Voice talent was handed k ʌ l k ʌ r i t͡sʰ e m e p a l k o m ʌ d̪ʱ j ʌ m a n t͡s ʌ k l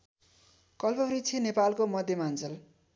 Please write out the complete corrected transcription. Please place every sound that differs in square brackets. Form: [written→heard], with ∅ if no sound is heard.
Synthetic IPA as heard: k ʌ l [k→p] ʌ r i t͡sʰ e [m→n] e p a l k o m ʌ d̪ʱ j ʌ m a n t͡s ʌ [k→∅] l